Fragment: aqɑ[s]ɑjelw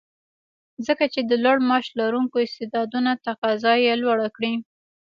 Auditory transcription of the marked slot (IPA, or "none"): z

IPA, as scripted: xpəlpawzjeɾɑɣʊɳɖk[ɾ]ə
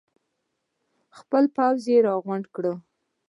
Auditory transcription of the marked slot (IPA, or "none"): ɽ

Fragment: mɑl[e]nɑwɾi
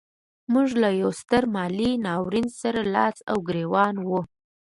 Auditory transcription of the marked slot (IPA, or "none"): i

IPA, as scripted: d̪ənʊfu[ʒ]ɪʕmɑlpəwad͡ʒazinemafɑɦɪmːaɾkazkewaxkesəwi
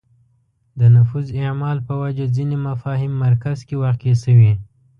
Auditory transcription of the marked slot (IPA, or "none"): z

